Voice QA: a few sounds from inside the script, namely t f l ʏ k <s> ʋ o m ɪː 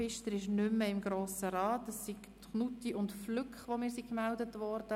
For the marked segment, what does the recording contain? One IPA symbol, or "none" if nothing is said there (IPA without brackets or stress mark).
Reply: χ